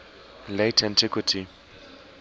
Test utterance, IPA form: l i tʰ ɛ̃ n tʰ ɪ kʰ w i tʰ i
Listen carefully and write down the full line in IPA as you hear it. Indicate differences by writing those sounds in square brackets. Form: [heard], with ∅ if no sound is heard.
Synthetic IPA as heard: l [e] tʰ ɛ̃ n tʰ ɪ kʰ w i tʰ i